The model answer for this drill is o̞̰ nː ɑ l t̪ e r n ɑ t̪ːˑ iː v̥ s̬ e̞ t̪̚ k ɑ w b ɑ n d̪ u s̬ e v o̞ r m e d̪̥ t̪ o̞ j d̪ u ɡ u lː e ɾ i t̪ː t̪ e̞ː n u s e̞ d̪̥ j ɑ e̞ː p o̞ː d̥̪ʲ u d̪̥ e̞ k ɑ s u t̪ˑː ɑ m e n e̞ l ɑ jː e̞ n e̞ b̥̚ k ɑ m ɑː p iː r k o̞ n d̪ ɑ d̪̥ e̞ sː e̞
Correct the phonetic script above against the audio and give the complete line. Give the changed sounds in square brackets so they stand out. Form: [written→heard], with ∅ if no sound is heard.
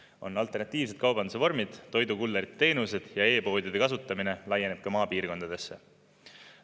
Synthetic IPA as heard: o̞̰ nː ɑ l t̪ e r n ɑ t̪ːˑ iː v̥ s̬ e̞ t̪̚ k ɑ w b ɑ n d̪ u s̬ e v o̞ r m [e→i] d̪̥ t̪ o̞ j d̪ u [ɡ→k] u lː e ɾ i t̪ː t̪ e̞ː n u s e̞ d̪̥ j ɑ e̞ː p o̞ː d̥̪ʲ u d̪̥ e̞ k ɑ s u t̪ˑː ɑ m [e→i] n e̞ l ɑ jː e̞ n e̞ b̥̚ k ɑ m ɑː p iː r k o̞ n d̪ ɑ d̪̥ e̞ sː e̞